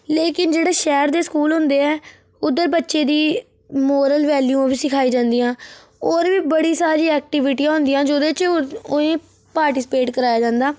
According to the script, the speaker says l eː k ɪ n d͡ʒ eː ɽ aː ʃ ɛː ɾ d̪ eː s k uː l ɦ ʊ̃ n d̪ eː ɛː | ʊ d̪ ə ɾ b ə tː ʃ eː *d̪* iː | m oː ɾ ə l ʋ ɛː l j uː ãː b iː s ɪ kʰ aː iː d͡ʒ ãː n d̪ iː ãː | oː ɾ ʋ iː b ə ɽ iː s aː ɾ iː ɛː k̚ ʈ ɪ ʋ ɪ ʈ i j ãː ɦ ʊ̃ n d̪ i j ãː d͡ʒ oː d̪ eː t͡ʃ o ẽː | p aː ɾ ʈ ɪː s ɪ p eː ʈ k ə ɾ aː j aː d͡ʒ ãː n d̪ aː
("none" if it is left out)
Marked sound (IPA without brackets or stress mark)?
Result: d̪